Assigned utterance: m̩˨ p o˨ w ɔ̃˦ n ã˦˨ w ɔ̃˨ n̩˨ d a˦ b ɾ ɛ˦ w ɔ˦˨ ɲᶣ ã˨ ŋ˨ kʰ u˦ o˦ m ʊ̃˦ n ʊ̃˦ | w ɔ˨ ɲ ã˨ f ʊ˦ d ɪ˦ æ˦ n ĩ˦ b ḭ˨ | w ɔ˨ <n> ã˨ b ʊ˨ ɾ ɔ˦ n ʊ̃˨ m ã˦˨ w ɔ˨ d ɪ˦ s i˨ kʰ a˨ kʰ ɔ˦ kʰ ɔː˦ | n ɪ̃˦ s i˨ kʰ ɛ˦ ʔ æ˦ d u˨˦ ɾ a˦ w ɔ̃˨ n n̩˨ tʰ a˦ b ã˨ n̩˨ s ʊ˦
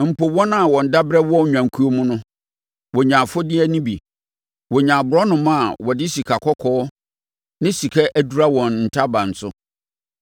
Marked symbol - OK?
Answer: no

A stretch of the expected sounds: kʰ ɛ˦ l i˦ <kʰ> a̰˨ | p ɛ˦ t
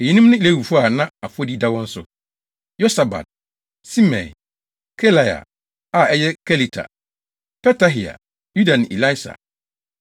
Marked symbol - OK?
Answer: no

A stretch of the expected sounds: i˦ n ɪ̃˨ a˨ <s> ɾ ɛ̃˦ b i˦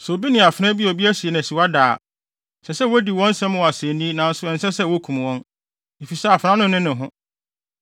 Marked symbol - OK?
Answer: no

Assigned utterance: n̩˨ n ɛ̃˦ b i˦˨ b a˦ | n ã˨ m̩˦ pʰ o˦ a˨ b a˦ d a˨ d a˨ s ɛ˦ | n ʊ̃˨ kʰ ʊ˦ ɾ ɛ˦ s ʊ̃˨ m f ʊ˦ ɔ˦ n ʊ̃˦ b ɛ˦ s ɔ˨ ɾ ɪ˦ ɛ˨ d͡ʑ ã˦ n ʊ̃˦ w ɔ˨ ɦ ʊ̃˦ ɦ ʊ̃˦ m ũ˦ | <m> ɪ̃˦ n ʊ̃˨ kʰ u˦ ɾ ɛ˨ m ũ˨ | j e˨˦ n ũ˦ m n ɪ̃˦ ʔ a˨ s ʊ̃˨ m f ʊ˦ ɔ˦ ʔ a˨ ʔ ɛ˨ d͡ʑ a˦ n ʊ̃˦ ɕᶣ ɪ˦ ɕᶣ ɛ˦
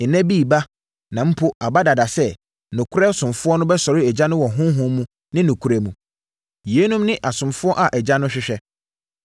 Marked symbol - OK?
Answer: no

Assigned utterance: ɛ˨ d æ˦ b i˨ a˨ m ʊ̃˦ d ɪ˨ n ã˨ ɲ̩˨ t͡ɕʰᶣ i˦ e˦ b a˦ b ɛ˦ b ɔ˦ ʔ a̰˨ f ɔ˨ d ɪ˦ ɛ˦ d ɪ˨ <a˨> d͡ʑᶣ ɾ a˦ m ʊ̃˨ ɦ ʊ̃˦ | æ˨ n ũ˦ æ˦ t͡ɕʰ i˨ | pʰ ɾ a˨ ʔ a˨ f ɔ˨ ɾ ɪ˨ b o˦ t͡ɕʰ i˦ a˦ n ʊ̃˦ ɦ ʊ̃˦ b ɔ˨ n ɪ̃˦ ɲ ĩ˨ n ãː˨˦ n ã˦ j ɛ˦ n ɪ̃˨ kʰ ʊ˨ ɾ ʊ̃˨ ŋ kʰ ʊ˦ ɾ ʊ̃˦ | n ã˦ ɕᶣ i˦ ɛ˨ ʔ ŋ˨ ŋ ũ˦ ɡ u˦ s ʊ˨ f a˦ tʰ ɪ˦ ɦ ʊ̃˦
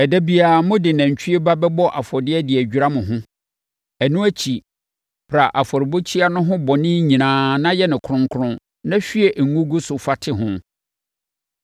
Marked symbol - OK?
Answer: no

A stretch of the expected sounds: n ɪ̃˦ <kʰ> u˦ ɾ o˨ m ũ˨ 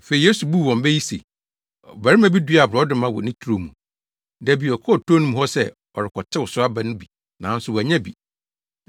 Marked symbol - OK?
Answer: no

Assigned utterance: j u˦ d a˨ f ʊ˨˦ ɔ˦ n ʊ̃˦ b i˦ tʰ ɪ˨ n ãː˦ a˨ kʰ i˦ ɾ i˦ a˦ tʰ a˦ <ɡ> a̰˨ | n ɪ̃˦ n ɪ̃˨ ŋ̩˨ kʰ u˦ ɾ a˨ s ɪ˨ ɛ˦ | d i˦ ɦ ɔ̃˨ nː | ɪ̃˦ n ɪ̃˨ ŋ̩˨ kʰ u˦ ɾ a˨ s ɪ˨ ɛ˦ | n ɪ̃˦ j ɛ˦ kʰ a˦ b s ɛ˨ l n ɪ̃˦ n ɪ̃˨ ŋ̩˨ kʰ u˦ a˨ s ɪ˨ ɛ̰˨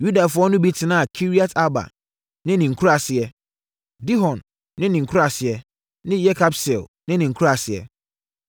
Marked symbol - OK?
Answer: no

